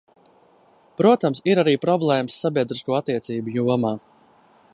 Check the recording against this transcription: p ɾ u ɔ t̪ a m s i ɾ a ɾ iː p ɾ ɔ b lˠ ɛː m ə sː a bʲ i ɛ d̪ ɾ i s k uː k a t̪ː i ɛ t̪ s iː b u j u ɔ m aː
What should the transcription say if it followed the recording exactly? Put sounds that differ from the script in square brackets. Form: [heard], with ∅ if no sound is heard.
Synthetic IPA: p ɾ u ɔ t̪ a m s i ɾ a ɾ iː p ɾ ɔ b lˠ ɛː m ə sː a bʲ i ɛ d̪ ɾ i s k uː [∅] a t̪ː i ɛ t̪ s iː b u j u ɔ m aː